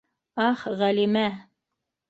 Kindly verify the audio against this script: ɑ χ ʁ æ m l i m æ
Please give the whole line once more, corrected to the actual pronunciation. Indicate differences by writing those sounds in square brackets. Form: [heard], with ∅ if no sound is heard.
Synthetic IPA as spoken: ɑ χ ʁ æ [∅] l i m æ